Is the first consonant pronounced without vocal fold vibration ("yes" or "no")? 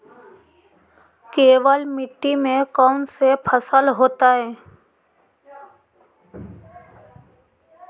yes